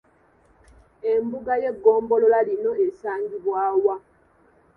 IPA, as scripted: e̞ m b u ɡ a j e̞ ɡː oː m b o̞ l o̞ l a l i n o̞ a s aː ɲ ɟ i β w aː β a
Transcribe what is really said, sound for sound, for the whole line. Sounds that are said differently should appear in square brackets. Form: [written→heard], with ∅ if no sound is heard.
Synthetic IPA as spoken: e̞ m b u ɡ a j e̞ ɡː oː m b o̞ l o̞ l a l i n o̞ [a→e] s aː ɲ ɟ i β w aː [β→w] a